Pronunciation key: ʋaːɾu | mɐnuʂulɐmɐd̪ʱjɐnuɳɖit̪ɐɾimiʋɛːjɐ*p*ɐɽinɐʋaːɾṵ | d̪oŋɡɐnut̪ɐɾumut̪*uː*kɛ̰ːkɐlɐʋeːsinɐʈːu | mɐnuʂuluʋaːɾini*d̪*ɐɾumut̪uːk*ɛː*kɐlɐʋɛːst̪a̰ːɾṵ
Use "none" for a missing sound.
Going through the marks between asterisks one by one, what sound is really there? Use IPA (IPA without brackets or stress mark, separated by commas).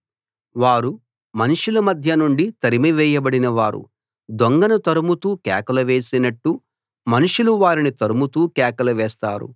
b, uː, t̪, ɛː